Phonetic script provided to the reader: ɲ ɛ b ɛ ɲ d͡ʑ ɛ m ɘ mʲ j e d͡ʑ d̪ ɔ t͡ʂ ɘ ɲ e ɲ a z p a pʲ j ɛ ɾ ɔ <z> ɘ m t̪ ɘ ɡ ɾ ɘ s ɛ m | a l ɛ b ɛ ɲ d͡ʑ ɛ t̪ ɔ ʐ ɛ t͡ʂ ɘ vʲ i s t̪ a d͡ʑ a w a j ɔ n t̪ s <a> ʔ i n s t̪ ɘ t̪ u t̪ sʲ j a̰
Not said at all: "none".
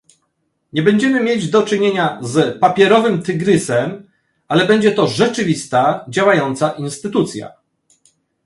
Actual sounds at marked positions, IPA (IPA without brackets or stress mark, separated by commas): v, a